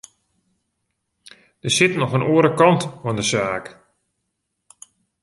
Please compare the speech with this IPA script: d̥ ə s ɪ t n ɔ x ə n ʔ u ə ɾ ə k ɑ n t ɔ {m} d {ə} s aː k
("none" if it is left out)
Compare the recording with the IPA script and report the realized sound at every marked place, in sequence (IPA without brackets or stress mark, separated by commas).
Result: n, ə